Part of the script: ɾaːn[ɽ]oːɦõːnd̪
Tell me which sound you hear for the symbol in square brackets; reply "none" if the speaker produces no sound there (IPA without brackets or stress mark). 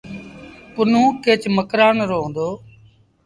ɾ